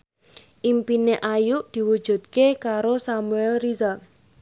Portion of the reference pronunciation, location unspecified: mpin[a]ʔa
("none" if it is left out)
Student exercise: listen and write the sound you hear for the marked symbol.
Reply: e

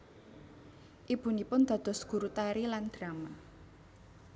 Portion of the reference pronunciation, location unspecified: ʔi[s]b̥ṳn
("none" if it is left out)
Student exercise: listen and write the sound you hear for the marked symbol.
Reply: none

